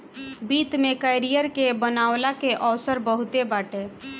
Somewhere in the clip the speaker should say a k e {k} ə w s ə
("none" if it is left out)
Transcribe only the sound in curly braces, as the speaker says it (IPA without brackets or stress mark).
ʔ